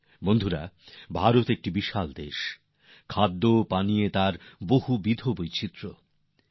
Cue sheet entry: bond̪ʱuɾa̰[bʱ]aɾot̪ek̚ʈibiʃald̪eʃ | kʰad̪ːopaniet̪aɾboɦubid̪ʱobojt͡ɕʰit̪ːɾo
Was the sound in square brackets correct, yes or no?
yes